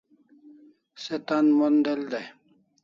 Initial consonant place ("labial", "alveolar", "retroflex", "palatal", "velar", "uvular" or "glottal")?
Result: alveolar